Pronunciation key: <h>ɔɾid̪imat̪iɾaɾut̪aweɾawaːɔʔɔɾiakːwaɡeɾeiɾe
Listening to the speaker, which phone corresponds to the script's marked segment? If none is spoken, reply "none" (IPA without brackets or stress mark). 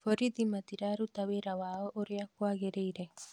f